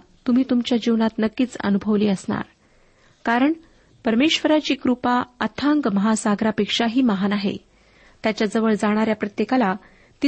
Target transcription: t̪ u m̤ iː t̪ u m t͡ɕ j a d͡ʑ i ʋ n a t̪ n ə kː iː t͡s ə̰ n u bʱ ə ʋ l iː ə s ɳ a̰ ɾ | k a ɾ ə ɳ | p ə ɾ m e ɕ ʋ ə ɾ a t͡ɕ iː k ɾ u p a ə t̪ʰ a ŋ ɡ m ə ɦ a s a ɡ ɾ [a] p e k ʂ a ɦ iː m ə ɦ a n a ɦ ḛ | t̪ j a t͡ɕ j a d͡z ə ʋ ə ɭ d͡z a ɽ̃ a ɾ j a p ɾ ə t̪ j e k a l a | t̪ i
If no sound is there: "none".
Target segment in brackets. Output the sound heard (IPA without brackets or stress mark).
a